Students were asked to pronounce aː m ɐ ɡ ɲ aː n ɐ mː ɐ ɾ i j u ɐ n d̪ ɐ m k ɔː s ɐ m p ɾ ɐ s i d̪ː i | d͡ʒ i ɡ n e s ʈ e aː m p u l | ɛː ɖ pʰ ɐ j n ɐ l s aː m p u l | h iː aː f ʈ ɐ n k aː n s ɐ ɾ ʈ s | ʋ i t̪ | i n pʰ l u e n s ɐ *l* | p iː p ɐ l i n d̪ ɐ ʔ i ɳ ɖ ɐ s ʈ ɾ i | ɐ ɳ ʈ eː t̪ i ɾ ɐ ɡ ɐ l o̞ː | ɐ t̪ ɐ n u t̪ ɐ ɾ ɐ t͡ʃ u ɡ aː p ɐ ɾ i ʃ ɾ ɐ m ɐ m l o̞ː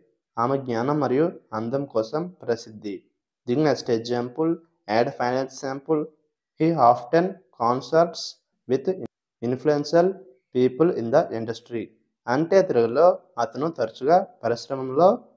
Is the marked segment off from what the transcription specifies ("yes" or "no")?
no